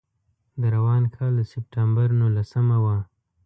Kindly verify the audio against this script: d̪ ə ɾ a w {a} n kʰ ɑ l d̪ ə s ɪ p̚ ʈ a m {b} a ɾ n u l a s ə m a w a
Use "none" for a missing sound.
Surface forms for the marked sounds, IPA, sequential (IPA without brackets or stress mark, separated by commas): ɑ, b